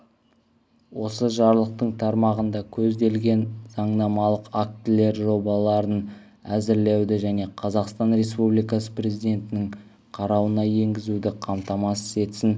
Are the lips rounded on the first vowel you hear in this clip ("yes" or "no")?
yes